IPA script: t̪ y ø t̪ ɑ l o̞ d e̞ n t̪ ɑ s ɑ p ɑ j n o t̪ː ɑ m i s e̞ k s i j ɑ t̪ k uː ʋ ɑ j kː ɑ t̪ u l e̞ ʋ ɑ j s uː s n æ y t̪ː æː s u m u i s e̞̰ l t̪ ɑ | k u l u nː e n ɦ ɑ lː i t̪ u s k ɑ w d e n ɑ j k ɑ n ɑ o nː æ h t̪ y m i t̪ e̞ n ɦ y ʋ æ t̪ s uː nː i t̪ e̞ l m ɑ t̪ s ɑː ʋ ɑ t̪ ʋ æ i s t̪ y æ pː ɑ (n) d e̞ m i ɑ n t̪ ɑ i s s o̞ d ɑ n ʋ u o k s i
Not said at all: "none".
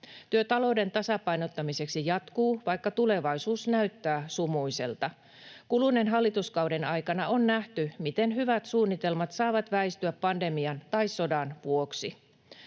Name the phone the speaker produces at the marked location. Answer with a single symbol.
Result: n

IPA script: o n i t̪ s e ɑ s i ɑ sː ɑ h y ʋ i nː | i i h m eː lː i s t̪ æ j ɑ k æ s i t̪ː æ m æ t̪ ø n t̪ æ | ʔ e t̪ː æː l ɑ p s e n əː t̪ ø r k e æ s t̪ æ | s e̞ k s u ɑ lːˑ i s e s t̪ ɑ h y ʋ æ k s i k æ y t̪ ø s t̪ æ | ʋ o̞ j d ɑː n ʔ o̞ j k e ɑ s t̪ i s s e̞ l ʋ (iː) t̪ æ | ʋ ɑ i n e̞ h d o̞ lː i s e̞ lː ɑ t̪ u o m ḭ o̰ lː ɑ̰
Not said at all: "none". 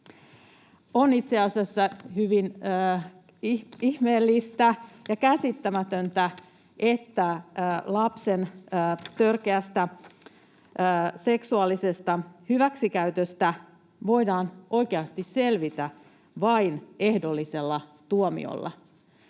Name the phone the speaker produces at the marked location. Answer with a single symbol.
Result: i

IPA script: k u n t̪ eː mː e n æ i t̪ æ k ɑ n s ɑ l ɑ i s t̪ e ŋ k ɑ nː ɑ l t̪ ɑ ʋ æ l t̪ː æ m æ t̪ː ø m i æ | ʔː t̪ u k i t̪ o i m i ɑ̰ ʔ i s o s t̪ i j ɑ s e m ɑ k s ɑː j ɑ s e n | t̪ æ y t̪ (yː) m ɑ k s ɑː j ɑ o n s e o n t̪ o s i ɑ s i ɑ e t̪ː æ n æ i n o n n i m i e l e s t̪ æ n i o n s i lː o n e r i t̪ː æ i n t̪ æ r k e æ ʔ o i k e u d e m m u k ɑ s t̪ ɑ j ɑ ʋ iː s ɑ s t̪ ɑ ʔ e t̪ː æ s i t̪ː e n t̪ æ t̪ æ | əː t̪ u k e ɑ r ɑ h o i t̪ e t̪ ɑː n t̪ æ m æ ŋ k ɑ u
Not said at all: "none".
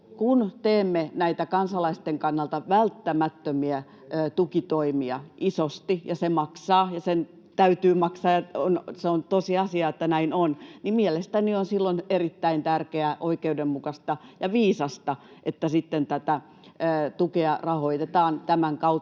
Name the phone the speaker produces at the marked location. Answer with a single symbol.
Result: yː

